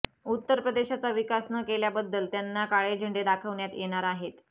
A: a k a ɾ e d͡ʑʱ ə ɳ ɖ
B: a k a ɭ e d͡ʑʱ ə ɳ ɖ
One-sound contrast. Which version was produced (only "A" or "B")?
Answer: B